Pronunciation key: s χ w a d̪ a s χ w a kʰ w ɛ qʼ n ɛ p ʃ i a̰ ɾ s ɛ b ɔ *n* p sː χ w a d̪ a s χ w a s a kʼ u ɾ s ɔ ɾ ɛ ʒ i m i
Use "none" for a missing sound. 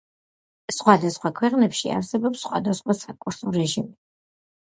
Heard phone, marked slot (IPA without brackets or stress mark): none